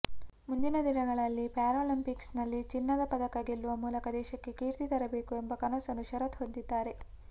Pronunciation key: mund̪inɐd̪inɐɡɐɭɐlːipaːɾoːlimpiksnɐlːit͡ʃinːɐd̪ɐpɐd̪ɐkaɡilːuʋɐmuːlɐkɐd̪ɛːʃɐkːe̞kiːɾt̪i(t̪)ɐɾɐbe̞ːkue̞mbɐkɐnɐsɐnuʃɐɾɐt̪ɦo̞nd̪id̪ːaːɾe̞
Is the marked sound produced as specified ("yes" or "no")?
yes